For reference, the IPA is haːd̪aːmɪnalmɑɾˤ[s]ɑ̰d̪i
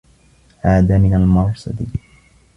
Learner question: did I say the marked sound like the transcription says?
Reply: yes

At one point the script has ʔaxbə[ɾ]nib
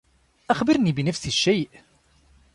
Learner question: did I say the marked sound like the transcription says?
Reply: yes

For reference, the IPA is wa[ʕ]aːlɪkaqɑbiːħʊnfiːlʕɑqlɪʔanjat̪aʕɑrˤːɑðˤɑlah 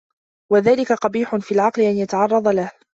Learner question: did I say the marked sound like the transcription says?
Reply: no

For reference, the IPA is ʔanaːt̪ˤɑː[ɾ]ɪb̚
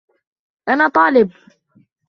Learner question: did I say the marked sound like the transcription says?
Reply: no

